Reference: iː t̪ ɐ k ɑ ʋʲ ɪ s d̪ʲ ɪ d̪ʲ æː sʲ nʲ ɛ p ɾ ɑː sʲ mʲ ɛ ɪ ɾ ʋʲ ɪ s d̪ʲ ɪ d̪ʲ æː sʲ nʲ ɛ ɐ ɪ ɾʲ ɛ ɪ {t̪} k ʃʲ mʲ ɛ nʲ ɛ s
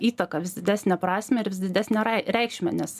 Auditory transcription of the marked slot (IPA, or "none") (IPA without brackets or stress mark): none